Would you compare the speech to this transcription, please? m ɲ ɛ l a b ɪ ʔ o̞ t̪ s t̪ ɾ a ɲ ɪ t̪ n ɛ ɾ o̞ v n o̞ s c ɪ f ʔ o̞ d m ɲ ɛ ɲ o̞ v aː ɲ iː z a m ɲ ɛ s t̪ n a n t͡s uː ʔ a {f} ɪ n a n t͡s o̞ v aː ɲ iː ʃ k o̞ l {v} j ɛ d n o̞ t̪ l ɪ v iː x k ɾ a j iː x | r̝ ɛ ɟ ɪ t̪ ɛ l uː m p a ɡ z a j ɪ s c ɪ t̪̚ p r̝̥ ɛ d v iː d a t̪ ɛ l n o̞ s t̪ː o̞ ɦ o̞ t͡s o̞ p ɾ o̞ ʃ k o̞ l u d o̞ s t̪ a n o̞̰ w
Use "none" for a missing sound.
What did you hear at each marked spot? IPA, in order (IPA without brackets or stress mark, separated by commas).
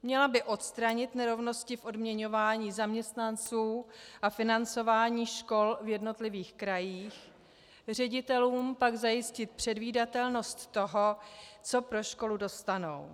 f, v